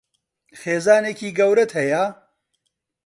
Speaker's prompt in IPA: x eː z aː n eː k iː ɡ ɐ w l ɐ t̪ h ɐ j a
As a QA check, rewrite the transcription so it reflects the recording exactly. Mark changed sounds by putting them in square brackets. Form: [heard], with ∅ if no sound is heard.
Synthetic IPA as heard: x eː z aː n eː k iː ɡ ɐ w [ɾ] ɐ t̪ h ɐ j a